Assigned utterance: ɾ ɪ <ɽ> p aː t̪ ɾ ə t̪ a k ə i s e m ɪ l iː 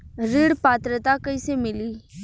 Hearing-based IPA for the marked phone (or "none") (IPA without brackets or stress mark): ɽ